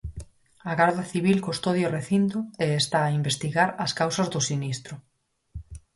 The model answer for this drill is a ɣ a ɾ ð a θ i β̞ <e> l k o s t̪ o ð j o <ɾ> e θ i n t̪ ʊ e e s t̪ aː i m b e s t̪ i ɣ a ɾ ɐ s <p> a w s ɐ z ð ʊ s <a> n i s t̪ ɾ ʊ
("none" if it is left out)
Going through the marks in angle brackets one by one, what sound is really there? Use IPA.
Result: i, r, k, i

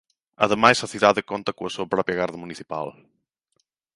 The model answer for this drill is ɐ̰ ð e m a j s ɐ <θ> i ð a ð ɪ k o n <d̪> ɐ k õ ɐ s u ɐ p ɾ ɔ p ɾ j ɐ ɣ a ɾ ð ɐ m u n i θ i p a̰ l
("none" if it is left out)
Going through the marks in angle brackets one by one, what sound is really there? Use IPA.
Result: θ, t̪

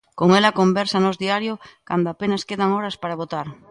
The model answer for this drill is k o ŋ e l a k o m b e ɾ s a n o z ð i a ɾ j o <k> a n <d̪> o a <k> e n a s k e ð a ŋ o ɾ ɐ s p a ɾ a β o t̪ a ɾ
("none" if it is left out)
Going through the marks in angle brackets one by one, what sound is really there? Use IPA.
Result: k, d̪, p

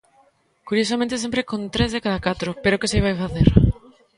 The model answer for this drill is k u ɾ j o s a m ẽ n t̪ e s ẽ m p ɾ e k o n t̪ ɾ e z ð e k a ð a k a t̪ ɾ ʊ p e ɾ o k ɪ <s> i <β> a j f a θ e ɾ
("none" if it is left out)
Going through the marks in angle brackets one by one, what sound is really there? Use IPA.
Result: s, β

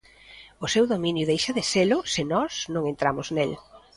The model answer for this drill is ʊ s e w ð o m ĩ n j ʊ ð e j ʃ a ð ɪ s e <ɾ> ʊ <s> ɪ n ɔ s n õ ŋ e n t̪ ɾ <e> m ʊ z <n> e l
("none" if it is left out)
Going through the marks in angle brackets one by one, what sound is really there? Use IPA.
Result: l, s, a, n

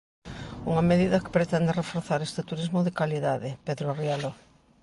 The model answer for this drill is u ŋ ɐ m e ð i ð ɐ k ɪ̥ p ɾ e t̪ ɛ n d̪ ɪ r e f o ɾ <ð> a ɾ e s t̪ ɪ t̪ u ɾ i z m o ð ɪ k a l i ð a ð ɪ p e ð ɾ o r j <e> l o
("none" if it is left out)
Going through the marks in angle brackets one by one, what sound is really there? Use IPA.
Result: θ, a

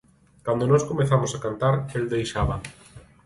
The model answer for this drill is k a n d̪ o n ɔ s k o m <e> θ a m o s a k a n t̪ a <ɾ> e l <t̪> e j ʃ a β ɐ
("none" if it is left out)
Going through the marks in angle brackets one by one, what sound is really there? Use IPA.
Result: e, ɾ, d̪

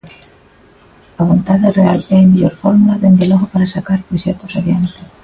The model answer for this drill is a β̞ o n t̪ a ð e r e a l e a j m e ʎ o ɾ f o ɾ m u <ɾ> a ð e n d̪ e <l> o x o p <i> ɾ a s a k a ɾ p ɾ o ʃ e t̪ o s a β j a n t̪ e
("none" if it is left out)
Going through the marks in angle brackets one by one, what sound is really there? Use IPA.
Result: l, l, a

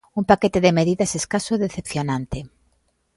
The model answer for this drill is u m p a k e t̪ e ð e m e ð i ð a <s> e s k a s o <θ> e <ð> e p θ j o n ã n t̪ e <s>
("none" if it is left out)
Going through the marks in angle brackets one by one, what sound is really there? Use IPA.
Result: s, ð, θ, none

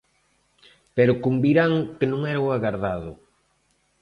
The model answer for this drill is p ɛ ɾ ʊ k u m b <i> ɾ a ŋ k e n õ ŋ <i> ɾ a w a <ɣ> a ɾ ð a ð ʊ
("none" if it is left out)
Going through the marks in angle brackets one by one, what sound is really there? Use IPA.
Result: i, ɛ, ɣ

